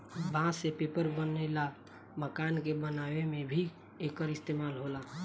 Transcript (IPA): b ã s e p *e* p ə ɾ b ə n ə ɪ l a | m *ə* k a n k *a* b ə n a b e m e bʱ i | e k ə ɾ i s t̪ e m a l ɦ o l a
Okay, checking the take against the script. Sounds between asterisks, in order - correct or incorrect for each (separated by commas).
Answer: correct, correct, incorrect